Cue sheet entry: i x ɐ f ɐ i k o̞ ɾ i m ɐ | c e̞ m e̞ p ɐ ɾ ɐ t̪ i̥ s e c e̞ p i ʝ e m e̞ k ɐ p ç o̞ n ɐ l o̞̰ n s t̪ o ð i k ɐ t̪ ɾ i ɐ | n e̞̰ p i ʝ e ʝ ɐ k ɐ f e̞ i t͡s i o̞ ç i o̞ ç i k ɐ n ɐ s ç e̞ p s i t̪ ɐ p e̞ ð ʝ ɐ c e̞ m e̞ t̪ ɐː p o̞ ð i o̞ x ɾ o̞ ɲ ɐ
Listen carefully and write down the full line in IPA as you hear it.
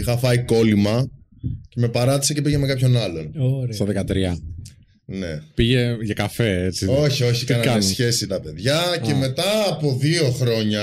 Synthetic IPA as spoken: i x ɐ f ɐ i k o̞ l i m ɐ | c e̞ m e̞ p ɐ ɾ ɐ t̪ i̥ s e c e̞ p i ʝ e m e̞ k ɐ p ç o̞ n ɐ l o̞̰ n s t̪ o ð e k ɐ t̪ ɾ i ɐ | n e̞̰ p i ʝ e ʝ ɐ k ɐ f e̞ e t͡s i o̞ ç i o̞ ç i k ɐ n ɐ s ç e̞ s i t̪ ɐ p e̞ ð ʝ ɐ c e̞ m e̞ t̪ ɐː p o̞ ð i o̞ x ɾ o̞ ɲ ɐ